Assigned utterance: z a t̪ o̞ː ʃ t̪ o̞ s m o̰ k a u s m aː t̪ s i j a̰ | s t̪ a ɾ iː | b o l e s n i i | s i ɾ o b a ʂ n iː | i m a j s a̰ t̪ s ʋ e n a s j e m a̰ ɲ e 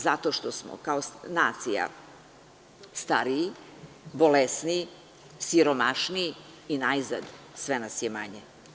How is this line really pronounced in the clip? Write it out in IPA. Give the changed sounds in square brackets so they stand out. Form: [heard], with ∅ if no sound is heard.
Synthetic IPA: z a t̪ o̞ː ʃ t̪ o̞ s m o̰ k a [o] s [n] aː t̪ s i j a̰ | s t̪ a ɾ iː | b o l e s n i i | s i ɾ o [m] a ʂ n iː | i [n] a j [z] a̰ [d̪] s ʋ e n a s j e m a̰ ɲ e